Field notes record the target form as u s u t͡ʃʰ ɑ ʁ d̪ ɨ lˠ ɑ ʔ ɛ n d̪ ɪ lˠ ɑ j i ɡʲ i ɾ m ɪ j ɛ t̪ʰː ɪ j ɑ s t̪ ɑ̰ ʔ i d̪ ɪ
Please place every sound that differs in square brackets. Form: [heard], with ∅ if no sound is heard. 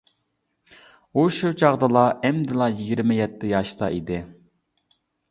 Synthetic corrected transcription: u [ʃ] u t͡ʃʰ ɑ ʁ d̪ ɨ lˠ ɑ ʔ ɛ [m] d̪ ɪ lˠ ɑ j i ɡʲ i ɾ m ɪ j ɛ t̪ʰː ɪ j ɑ [ʃ] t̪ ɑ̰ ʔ i d̪ ɪ